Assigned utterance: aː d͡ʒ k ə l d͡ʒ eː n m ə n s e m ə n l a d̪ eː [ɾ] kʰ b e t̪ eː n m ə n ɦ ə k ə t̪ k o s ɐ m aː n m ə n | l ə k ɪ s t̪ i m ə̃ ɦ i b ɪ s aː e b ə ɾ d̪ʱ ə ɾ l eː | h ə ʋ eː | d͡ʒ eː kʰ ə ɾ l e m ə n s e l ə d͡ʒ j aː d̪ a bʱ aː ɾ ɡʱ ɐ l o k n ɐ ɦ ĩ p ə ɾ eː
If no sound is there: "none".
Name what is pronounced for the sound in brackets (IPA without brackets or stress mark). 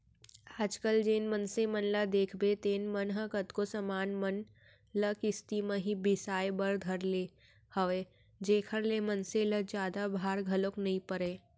none